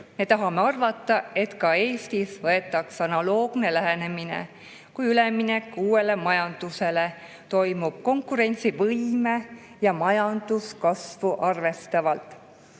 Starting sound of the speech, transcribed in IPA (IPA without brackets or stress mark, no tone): m